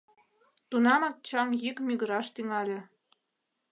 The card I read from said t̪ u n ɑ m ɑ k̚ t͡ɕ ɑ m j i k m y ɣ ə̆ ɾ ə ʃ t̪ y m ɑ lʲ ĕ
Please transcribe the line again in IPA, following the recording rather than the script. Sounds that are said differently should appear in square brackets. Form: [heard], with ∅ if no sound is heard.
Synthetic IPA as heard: t̪ u n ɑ m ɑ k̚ t͡ɕ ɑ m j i k m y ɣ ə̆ ɾ [ɑ] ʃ t̪ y [ŋ] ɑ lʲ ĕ